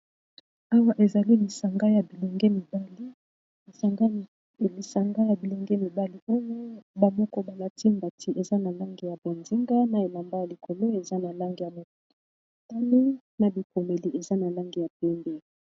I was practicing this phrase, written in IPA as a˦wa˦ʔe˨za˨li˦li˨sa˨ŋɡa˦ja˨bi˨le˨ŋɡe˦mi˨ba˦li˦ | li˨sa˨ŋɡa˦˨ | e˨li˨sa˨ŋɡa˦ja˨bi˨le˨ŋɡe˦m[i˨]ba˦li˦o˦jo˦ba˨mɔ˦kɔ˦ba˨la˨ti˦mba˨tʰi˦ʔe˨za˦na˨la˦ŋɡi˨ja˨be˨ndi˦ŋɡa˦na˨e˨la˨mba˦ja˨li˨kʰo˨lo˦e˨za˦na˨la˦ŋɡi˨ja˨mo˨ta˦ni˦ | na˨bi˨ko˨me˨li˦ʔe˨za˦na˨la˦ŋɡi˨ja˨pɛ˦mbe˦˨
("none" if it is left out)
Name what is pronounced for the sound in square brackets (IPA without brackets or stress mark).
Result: i˨